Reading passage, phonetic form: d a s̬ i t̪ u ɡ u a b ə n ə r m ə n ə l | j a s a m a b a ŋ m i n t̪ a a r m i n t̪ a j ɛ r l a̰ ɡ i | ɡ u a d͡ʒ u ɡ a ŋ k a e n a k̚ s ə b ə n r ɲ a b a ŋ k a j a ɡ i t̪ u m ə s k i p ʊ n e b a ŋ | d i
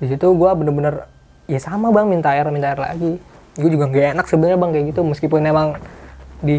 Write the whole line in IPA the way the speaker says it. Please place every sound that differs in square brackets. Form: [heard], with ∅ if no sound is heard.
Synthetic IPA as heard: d [i] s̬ i t̪ u ɡ u a b ə n ə r [b] ə n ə [r] | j a s a m a b a ŋ m i n t̪ a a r m i n t̪ a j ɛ r l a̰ ɡ i | ɡ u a d͡ʒ u ɡ a ŋ [ɡ] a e n a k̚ s ə b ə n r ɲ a b a ŋ k a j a ɡ i t̪ u m ə s k i p ʊ n e [m] a ŋ | d i